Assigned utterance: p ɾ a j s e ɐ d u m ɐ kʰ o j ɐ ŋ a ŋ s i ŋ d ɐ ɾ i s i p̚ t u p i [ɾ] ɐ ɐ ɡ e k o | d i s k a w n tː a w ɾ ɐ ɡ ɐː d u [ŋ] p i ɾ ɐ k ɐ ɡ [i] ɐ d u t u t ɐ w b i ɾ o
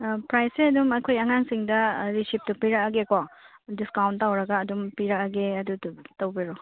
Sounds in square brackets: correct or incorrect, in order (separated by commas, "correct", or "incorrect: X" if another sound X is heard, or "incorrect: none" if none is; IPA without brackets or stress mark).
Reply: correct, incorrect: m, incorrect: e